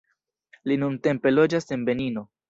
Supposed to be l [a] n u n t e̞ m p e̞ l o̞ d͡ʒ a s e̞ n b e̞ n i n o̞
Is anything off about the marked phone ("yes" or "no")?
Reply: yes